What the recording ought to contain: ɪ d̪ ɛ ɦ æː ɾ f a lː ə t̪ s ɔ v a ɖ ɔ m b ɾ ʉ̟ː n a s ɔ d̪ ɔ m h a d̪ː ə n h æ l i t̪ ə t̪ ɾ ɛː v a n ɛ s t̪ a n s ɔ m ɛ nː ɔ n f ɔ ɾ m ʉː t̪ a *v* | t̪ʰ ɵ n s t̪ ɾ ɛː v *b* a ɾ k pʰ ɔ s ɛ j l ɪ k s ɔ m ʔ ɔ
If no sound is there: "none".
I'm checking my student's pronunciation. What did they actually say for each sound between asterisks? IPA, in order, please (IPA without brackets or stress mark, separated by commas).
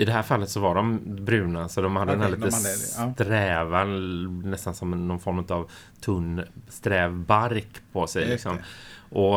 v, b